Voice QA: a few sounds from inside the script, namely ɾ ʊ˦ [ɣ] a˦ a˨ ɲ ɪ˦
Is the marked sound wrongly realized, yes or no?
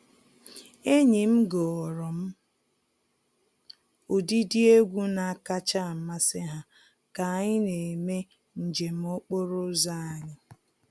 yes